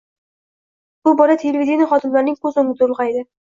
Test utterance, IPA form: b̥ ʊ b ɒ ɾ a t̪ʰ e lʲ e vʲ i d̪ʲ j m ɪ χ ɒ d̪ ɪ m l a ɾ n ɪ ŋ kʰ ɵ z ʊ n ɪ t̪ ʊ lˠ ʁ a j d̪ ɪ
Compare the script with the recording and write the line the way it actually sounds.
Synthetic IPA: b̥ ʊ b ɒ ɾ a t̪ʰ e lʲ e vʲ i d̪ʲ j n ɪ χ ɒ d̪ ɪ m l a ɾ n ɪ ŋ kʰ ɵ z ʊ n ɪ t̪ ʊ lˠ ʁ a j d̪ ɪ